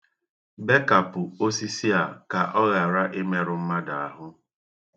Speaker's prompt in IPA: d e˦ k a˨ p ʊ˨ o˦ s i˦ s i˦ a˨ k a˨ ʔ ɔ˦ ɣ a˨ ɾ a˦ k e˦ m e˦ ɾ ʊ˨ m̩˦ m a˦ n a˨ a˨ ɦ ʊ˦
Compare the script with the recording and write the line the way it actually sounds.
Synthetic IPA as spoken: b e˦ k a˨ p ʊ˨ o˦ s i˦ s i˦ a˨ k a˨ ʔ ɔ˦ ɣ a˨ ɾ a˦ ʔ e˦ m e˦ ɾ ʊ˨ m̩˦ m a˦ d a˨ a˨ ɦ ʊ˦